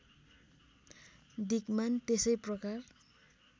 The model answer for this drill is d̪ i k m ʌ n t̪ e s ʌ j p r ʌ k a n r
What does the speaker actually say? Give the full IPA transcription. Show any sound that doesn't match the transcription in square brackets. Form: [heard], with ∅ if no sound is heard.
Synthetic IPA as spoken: d̪ i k m [a] n t̪ e s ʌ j p r ʌ k a [∅] r